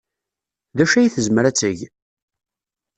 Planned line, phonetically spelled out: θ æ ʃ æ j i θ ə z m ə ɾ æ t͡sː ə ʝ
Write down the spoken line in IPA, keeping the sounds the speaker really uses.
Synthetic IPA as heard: ð æ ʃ æ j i θ ə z m ə ɾ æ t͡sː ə ʝ